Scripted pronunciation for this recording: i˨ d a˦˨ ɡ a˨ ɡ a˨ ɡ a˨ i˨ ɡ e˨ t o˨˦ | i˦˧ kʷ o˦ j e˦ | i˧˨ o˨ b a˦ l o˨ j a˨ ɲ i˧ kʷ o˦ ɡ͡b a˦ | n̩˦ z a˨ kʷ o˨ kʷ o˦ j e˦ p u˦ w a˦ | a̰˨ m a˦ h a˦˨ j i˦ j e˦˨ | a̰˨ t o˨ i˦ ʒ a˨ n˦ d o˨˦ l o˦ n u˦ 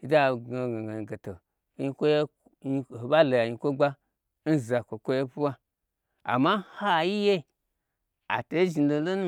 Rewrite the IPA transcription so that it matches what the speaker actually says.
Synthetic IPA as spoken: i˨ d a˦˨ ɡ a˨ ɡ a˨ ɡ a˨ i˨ ɡ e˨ t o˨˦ | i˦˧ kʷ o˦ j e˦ | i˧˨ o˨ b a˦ l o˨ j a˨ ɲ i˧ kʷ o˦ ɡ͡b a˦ | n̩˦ z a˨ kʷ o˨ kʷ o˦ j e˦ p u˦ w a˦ | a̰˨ m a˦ h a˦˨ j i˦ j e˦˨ | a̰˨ t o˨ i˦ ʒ i˨ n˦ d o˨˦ l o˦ n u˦